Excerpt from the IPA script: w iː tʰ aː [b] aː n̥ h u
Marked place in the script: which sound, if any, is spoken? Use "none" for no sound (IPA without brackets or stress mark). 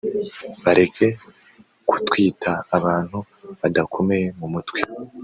β